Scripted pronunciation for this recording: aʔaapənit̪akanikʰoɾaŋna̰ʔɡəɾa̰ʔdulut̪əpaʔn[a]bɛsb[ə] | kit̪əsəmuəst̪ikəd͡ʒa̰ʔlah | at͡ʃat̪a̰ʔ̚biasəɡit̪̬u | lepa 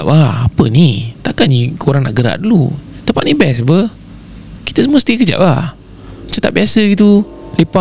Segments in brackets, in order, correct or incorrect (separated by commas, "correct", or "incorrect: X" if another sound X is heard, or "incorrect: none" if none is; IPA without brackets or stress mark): incorrect: i, correct